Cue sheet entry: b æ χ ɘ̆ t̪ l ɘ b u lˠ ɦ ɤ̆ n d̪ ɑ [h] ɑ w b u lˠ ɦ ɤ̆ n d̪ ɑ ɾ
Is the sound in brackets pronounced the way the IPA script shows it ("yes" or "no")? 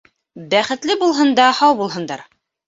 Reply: yes